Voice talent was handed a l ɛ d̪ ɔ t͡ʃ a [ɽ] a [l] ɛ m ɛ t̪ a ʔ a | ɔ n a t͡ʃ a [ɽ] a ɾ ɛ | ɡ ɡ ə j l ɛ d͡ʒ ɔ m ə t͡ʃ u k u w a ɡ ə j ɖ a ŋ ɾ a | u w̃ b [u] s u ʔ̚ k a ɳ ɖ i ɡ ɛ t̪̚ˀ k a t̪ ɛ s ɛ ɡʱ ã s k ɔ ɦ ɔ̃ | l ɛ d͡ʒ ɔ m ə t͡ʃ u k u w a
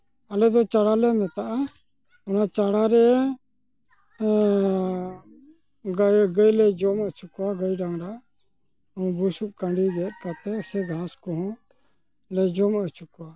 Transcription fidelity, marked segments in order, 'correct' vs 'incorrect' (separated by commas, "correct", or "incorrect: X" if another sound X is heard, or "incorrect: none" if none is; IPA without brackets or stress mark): correct, correct, correct, correct